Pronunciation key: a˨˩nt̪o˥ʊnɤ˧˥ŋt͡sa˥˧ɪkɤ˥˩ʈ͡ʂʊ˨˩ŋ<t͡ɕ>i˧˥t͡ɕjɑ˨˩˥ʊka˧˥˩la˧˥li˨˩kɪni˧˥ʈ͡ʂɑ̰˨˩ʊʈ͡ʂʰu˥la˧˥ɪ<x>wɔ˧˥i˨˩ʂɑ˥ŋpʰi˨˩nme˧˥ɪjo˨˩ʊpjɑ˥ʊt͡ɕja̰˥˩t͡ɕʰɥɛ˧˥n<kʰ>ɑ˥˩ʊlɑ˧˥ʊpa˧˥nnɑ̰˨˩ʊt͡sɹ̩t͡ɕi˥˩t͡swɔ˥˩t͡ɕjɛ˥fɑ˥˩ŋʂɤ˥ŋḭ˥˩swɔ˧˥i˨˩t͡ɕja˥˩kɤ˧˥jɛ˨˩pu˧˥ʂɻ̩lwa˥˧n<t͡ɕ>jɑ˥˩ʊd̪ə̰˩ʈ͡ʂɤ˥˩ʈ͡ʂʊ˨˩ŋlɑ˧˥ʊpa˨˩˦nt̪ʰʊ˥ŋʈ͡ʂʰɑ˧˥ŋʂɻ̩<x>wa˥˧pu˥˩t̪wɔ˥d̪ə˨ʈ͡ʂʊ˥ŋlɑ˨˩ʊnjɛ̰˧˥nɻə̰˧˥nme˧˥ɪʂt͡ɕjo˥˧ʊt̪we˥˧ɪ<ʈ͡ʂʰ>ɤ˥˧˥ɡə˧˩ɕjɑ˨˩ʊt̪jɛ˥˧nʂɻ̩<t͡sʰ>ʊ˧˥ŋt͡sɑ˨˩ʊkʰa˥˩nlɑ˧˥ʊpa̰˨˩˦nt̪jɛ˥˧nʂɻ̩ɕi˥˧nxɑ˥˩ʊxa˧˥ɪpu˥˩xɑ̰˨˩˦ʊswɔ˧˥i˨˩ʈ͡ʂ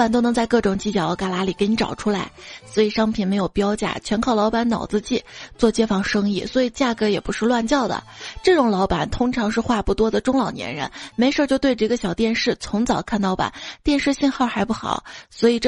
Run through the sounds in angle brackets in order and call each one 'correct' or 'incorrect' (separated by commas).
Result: correct, incorrect, correct, correct, correct, incorrect, correct